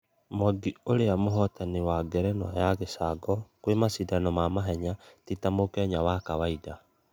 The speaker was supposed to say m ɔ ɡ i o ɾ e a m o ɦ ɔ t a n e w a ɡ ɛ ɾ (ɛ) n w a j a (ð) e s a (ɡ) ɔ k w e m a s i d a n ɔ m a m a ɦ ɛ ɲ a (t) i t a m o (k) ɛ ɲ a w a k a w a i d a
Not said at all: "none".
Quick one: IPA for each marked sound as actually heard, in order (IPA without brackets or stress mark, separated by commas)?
ɛ, ɣ, ɡ, t, k